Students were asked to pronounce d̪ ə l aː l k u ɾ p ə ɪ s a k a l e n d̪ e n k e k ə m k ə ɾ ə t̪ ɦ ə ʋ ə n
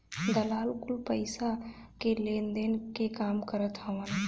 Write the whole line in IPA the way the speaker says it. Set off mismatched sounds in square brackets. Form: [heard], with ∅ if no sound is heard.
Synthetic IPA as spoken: d̪ ə l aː l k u [l] p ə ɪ s a k [e] l e n d̪ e n k e k [a] m k ə ɾ ə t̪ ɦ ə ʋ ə n

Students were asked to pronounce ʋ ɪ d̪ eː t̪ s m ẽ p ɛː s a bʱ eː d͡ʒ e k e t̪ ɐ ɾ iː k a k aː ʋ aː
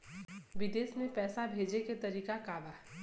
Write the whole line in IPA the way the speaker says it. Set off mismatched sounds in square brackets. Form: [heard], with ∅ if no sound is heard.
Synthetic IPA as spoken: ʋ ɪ d̪ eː [∅] s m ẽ p ɛː s a bʱ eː d͡ʒ e k e t̪ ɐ ɾ iː k a k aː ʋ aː

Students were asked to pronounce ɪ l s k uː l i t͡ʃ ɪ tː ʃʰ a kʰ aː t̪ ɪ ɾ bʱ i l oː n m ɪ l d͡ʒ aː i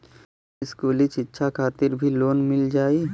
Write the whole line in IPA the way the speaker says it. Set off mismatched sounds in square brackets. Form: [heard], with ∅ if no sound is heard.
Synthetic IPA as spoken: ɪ [∅] s k uː l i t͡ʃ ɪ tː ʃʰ a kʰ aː t̪ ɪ ɾ bʱ i l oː n m ɪ l d͡ʒ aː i

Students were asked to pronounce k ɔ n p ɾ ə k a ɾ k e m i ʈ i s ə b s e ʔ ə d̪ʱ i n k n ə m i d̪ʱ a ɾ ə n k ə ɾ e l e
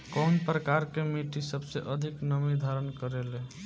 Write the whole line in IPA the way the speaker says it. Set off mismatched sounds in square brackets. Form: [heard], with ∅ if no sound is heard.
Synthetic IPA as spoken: k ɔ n p ɾ ə k a ɾ k e m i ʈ i s ə b s e ʔ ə d̪ʱ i [∅] k n ə m i d̪ʱ a ɾ ə n k ə ɾ e l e

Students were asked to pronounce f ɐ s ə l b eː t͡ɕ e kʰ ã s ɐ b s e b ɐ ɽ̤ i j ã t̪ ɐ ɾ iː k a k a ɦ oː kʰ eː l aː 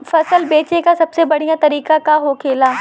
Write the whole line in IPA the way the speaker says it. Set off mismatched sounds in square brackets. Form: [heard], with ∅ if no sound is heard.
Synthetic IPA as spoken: f ɐ s ə l b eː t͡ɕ e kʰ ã s ɐ b s e b ɐ ɽ̤ i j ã t̪ ɐ ɾ iː k a k a ɦ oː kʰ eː l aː

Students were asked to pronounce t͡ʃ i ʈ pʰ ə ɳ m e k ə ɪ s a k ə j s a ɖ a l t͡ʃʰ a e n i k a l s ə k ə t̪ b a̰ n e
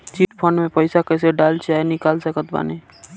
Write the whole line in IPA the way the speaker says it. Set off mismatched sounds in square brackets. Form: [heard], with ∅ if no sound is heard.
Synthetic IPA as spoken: t͡ʃ i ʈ pʰ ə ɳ m e [p] ə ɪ s a k ə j s [e] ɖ a l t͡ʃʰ a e n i k a l s ə k ə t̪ b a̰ n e

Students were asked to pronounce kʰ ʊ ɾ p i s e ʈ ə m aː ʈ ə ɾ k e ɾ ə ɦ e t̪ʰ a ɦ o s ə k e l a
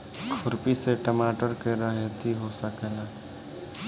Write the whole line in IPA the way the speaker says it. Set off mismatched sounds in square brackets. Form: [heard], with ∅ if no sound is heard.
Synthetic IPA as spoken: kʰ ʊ ɾ p i s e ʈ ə m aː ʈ ə ɾ k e ɾ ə ɦ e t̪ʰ [i] ɦ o s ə k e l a

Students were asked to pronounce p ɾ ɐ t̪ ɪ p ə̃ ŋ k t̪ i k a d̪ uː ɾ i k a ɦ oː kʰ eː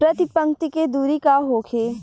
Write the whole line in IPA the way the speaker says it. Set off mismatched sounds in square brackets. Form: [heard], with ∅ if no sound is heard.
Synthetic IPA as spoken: p ɾ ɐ t̪ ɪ p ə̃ ŋ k t̪ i k [e] d̪ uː ɾ i k a ɦ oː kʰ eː

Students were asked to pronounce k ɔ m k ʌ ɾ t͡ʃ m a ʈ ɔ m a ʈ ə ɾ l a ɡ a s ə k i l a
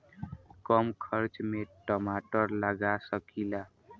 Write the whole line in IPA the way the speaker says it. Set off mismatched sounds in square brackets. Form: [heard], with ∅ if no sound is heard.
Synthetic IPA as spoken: k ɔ m [kʰ] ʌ ɾ t͡ʃ m [e] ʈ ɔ m a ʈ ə ɾ l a ɡ a s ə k i l a

